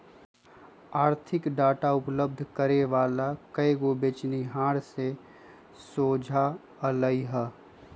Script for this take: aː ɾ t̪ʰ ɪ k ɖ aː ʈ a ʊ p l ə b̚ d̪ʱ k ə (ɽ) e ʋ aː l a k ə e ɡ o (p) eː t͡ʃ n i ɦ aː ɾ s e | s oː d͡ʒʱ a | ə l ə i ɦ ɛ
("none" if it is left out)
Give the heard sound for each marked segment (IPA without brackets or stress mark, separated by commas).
ɾ, b